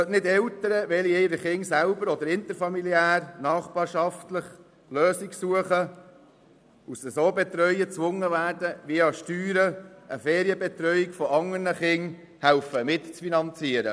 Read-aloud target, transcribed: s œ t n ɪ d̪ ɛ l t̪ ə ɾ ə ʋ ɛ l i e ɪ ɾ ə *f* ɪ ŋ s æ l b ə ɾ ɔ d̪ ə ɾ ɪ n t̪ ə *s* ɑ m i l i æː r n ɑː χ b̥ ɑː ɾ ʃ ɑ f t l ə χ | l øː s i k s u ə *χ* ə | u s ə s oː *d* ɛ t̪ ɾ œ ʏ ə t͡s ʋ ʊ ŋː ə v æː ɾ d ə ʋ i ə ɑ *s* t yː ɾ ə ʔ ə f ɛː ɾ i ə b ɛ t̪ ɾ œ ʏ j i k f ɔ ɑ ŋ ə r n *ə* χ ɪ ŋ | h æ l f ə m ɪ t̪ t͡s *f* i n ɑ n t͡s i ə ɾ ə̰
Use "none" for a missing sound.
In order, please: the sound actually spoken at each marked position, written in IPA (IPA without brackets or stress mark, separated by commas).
χ, f, χ, b, ʃ, ə, f